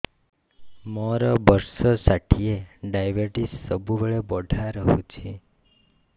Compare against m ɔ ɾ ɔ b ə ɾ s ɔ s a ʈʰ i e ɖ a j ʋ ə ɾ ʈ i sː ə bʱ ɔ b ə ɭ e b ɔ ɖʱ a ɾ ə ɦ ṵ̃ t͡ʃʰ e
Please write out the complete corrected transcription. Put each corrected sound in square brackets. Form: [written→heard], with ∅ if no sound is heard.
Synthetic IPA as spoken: m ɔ ɾ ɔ b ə ɾ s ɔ s a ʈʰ i e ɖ a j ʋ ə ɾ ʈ i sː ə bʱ [ɔ→u] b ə ɭ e b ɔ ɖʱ a ɾ ə ɦ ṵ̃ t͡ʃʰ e